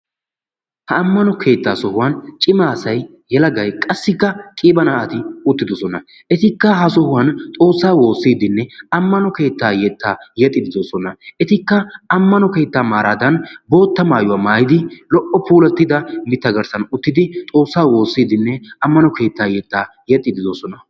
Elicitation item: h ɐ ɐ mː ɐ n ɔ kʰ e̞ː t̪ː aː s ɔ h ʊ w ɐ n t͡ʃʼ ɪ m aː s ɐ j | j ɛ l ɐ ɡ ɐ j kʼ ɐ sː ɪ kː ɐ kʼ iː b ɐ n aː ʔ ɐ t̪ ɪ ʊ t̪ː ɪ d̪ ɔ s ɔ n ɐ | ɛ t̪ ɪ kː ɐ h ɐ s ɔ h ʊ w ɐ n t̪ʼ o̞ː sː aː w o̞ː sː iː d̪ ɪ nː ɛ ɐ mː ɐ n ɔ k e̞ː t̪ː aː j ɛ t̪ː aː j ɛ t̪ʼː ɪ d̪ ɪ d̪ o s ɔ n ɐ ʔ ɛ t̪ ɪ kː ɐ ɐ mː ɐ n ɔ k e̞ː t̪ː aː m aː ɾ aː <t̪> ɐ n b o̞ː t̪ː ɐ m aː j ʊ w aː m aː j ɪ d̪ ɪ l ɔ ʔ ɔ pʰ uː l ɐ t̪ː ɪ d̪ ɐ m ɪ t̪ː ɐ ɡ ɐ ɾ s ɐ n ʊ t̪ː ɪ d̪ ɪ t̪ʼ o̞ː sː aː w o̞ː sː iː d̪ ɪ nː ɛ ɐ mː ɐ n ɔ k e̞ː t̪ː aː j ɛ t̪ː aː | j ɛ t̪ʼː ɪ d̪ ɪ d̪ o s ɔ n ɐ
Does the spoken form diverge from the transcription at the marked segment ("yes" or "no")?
yes